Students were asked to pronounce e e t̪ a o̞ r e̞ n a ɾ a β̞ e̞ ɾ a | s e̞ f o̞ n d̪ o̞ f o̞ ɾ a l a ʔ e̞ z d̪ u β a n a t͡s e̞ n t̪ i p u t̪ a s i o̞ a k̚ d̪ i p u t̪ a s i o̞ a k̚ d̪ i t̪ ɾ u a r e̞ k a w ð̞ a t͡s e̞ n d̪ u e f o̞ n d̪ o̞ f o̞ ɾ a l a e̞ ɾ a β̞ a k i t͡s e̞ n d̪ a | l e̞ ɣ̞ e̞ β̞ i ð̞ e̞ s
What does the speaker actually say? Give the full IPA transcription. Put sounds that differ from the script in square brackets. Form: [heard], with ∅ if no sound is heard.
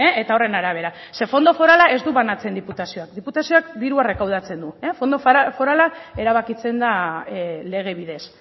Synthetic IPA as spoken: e e t̪ a o̞ r e̞ n a ɾ a β̞ e̞ ɾ a | s e̞ f o̞ n d̪ o̞ f o̞ ɾ a l a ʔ e̞ z d̪ u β a n a t͡s e̞ n [d̪] i p u t̪ a s i o̞ a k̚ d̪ i p u t̪ a s i o̞ a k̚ d̪ i [∅] ɾ u a r e̞ k a w ð̞ a t͡s e̞ n d̪ u e f o̞ n d̪ o̞ f o̞ ɾ a l a e̞ ɾ a β̞ a k i t͡s e̞ n d̪ a | l e̞ ɣ̞ e̞ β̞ i ð̞ e̞ s